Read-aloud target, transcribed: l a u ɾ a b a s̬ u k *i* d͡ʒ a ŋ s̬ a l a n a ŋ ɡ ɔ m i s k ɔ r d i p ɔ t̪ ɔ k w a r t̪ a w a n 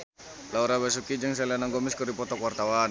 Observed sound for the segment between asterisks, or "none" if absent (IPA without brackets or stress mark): i